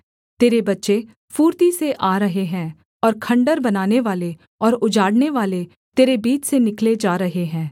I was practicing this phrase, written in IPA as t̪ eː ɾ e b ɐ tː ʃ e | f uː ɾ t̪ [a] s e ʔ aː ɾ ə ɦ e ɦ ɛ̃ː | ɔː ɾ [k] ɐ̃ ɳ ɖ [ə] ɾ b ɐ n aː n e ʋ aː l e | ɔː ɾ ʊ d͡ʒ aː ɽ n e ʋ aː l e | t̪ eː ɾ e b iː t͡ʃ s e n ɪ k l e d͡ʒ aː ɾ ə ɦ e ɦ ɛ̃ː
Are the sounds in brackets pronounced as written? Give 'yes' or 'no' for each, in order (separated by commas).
no, no, yes